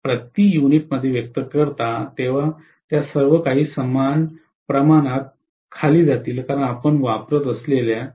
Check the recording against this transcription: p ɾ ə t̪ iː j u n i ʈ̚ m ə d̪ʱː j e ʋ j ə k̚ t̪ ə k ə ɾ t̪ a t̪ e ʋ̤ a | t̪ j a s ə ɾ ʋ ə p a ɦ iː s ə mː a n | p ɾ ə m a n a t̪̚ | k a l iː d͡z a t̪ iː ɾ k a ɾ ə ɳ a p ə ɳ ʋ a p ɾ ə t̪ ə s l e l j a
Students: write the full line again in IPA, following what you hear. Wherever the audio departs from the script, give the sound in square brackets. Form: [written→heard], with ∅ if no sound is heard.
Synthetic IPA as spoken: p ɾ ə t̪ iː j u n i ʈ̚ m ə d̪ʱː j e ʋ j ə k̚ t̪ ə k ə ɾ t̪ a t̪ e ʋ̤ a | t̪ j a s ə ɾ ʋ ə [p→k] a ɦ iː s ə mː a n | p ɾ ə m a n a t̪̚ | [k→kʰ] a l iː d͡z a t̪ iː [ɾ→l] k a ɾ ə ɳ a p ə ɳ ʋ a p ɾ ə t̪ ə s l e l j a